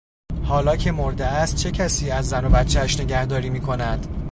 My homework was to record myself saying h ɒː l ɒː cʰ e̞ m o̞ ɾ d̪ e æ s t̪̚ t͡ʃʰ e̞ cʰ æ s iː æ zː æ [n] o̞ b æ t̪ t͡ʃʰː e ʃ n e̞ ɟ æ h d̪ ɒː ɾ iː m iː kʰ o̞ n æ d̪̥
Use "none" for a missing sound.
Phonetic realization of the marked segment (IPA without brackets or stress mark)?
n